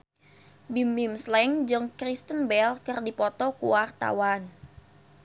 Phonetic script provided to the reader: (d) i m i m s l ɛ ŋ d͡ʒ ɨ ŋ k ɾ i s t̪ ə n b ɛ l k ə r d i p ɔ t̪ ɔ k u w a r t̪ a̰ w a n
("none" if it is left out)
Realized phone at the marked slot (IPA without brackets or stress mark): b